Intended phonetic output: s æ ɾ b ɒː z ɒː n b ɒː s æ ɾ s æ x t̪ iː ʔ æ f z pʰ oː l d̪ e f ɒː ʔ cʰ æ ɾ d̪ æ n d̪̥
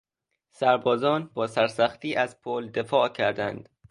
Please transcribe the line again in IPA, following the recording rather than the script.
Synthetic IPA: s æ ɾ b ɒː z ɒː n b ɒː s æ ɾ s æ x t̪ iː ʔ æ z pʰ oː l d̪ e f ɒː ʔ cʰ æ ɾ d̪ æ n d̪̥